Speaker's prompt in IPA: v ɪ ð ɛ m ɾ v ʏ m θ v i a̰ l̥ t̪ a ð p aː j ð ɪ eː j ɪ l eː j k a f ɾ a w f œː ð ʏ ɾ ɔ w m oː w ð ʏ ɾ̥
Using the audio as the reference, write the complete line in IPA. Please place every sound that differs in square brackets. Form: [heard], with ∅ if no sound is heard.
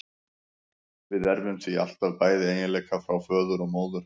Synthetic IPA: v ɪ ð ɛ [∅] ɾ v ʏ m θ v i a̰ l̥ t̪ a ð p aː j ð ɪ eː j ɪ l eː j k a f ɾ a w f œː ð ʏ ɾ ɔ [ɣ] m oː w ð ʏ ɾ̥